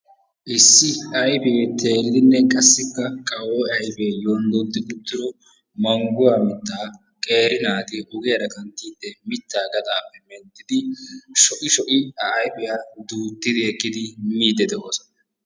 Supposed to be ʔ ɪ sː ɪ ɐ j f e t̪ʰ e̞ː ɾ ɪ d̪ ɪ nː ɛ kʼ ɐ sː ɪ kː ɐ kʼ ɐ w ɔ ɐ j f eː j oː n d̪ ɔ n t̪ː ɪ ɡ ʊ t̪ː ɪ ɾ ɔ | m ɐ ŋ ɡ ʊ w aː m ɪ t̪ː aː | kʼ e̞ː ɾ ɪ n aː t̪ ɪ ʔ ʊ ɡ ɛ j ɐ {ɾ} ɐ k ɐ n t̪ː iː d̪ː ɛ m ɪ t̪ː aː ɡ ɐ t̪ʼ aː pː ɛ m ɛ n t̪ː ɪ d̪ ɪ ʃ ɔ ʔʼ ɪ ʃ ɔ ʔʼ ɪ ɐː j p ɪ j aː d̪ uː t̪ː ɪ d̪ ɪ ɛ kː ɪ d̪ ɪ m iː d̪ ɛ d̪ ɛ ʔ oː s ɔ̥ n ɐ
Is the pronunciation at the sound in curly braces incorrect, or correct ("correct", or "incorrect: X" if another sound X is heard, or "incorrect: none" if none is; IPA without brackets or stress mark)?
correct